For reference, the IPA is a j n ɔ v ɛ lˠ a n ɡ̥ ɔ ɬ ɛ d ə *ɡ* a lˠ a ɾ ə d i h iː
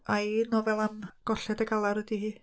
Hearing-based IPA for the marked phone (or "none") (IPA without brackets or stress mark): ɡ